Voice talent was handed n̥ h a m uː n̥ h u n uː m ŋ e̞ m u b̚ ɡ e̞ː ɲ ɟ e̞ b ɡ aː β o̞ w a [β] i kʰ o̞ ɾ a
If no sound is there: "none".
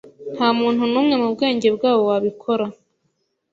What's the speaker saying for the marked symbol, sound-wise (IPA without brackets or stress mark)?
β